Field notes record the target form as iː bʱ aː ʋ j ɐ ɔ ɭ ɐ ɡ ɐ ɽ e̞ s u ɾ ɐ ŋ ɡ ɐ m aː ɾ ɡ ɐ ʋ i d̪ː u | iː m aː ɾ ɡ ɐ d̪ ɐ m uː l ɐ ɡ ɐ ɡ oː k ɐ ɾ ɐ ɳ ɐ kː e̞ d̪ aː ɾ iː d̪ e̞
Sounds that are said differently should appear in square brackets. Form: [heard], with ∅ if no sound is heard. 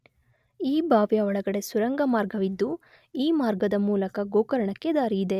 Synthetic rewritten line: iː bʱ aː ʋ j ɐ ɔ ɭ ɐ ɡ ɐ ɽ e̞ s u ɾ ɐ ŋ ɡ ɐ m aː ɾ ɡ ɐ ʋ i d̪ː u | iː m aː ɾ ɡ ɐ d̪ ɐ m uː l ɐ [k] ɐ ɡ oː k ɐ ɾ ɐ ɳ ɐ kː e̞ d̪ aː ɾ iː d̪ e̞